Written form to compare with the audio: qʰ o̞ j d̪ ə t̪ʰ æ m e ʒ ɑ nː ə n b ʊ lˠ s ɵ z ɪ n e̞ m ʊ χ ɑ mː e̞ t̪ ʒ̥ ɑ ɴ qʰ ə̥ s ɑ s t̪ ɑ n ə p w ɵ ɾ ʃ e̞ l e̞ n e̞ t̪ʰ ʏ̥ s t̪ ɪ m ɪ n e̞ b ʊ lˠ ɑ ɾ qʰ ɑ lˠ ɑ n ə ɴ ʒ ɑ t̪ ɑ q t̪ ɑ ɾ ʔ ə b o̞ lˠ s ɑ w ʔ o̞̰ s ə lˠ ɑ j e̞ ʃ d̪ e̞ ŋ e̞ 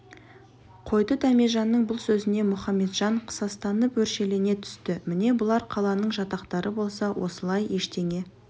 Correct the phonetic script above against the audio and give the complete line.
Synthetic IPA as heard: qʰ o̞ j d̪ ə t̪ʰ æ m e ʒ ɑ nː ə ɴ b ʊ lˠ s ɵ z ɪ n e̞ m ʊ χ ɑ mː e̞ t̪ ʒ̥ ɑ ɴ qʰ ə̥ s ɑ s t̪ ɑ n ə p w ɵ ɾ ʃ e̞ l e̞ n e̞ t̪ʰ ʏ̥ s t̪ ɪ m ɪ n e̞ b ʊ lˠ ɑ ɾ qʰ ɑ lˠ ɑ n ə ɴ ʒ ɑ t̪ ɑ q t̪ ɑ ɾ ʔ ə b o̞ lˠ s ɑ w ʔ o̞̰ s ə lˠ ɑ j e̞ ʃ t̪ e̞ ŋ e̞

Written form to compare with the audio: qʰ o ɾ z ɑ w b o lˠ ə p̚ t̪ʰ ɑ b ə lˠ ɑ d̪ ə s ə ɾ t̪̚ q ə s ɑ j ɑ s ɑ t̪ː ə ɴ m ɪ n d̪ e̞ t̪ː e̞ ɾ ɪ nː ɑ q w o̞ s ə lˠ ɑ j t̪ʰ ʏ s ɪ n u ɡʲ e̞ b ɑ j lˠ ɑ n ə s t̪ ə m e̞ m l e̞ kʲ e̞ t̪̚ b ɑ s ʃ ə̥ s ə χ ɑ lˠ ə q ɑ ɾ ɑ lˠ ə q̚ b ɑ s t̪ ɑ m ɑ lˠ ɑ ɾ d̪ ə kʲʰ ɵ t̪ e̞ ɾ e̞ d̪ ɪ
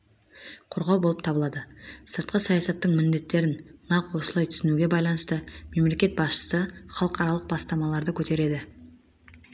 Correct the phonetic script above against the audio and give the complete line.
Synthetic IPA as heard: qʰ o ɾ ʁ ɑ w b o lˠ ə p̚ t̪ʰ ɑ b ə lˠ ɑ d̪ ə s ə ɾ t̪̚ q ə s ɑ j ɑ s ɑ t̪ː ə ɴ m ɪ n d̪ e̞ t̪ː e̞ ɾ ɪ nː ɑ q w o̞ s ə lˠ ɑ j t̪ʰ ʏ s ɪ n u ɡʲ e̞ b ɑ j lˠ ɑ n ə s t̪ ə m e̞ m l e̞ kʲ e̞ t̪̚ b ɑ s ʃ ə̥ s ə χ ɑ lˠ ə q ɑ ɾ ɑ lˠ ə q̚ b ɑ s t̪ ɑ m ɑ lˠ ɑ ɾ d̪ ə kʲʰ ɵ t̪ e̞ ɾ e̞ d̪ ɪ

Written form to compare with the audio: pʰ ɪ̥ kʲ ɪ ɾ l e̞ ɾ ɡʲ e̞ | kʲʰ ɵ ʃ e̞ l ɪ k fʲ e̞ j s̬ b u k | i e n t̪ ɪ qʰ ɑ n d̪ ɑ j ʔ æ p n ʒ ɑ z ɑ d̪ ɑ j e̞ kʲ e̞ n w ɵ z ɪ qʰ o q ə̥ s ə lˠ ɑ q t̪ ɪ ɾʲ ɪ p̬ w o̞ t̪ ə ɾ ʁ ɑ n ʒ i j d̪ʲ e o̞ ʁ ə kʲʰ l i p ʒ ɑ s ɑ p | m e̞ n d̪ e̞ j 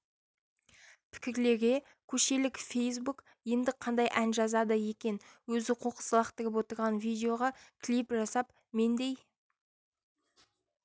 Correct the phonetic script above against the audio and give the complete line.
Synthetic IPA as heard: pʰ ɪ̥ kʲ ɪ ɾ l e̞ ɾ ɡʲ e̞ | kʲʰ ɵ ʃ e̞ l ɪ k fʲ e̞ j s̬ b u k | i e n d̪ ɪ qʰ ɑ n d̪ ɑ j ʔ æ n ʒ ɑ z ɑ d̪ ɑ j e̞ kʲ e̞ n w ɵ z ɪ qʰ o q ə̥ s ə lˠ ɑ q t̪ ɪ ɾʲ ɪ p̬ w o̞ t̪ ə ɾ ʁ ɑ n v i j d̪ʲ e o̞ ʁ ɑ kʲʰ l i p ʒ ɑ s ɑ p | m e̞ n d̪ e̞ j

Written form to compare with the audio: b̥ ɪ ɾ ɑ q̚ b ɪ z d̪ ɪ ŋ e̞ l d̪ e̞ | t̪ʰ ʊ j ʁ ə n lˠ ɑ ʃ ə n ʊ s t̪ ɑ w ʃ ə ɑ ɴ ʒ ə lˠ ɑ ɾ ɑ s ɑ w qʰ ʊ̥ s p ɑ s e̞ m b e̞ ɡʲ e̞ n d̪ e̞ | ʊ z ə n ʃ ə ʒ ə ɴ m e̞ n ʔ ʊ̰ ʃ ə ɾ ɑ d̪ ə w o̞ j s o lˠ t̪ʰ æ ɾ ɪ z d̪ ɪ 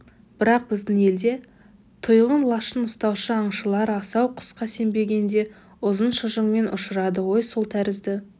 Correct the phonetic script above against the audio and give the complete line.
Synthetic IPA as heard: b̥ ɪ ɾ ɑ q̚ b ɪ z d̪ ɪ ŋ e̞ l d̪ e̞ | t̪ʰ ʊ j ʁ ə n lˠ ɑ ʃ ə n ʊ s t̪ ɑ w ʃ ə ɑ ɴ ʃ ə lˠ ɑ ɾ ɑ s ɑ w qʰ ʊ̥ s q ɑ s e̞ m b e̞ ɡʲ e̞ n d̪ e̞ | ʊ z ə n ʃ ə ʒ ə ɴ m e̞ n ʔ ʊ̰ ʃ ə ɾ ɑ d̪ ə w o̞ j s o lˠ t̪ʰ æ ɾ ɪ z d̪ ɪ

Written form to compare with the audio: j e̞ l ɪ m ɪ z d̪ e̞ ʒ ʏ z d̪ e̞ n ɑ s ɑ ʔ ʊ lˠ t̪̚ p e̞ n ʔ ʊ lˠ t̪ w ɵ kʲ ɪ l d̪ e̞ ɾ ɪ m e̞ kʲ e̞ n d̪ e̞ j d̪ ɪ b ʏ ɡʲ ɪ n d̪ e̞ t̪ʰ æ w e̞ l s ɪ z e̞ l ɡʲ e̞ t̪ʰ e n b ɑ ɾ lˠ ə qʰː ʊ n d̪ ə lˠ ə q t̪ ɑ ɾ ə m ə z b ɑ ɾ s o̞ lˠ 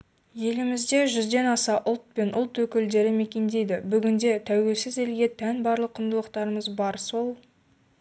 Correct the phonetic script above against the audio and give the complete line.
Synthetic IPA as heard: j e̞ l ɪ m ɪ z d̪ e̞ ʒ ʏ z d̪ e̞ n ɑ s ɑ ʔ ʊ lˠ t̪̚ p e̞ n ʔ ʊ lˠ t̪ w ɵ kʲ ɪ l d̪ e̞ ɾ ɪ m e̞ kʲ e̞ n d̪ e̞ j d̪ ɪ b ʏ ɡʲ ɪ n d̪ e̞ t̪ʰ æ w e̞ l s ɪ z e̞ l ɡʲ e̞ t̪ʰ æ n b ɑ ɾ lˠ ə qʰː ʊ n d̪ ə lˠ ə q t̪ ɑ ɾ ə m ə z b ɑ ɾ s o̞ lˠ

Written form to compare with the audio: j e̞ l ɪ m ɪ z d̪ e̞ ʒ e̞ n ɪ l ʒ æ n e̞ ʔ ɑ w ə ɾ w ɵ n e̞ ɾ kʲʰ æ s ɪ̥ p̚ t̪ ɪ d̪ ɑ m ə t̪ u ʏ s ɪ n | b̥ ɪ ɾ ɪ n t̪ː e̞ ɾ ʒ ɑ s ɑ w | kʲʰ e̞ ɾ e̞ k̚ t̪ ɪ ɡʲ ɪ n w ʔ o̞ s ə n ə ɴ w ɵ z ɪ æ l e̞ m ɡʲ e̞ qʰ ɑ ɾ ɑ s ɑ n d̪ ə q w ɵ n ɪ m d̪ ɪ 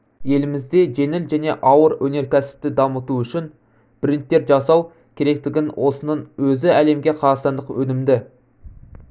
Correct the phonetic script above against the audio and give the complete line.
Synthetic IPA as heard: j e̞ l ɪ m ɪ z d̪ e̞ ʒ e̞ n ɪ l ʒ æ n e̞ ʔ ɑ w ə ɾ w ɵ n e̞ ɾ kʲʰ æ s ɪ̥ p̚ t̪ ɪ d̪ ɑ m ə t̪ u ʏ ʃ ɪ n | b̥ ɪ ɾ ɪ n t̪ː e̞ ɾ ʒ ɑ s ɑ w | kʲʰ e̞ ɾ e̞ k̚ t̪ ɪ ɡʲ ɪ n w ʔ o̞ s ə n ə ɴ w ɵ z ɪ æ l e̞ m ɡʲ e̞ qʰ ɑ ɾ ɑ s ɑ n d̪ ə q w ɵ n ɪ m d̪ ɪ

